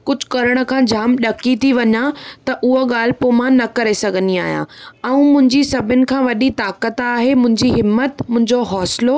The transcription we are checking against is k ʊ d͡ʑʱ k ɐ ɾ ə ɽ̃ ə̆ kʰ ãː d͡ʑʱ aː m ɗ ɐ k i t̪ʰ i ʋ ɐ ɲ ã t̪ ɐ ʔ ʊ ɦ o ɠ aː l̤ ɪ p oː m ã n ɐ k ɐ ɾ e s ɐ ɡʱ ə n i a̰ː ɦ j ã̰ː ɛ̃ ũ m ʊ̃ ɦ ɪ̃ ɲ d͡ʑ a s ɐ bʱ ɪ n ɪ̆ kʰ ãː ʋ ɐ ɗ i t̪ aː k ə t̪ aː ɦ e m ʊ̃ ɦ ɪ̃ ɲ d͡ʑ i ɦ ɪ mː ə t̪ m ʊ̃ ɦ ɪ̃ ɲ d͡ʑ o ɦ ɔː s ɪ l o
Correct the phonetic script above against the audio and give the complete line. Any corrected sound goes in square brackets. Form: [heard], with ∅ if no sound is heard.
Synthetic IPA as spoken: k ʊ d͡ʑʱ k ɐ ɾ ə ɽ̃ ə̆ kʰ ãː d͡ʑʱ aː m ɗ ɐ k i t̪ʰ i ʋ ɐ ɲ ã t̪ ɐ ʔ ʊ ɦ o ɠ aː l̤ ɪ p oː m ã n ɐ k ɐ ɾ e s ɐ ɡʱ ə n i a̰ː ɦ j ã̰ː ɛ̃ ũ m ʊ̃ ɦ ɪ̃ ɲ d͡ʑ [i] s ɐ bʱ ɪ n ɪ̆ kʰ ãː ʋ ɐ ɗ i t̪ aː k ə t̪ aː ɦ e m ʊ̃ ɦ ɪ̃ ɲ d͡ʑ i ɦ ɪ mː ə t̪ m ʊ̃ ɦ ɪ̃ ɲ d͡ʑ o ɦ ɔː s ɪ l o